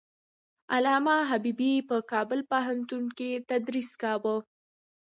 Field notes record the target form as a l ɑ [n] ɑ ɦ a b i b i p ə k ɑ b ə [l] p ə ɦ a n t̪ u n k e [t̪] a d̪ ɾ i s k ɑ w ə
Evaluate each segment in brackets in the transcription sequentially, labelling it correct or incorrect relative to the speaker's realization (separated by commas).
incorrect, correct, correct